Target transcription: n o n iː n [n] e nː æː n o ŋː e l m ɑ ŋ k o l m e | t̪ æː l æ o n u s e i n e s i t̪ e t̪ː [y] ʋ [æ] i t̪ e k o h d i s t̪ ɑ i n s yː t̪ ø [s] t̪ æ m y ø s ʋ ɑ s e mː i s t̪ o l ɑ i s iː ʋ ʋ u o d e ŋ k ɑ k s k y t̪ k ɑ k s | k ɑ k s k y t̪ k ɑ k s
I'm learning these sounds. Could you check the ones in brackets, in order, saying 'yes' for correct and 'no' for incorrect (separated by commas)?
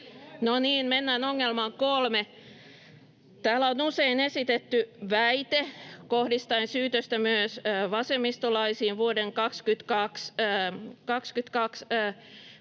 no, yes, yes, yes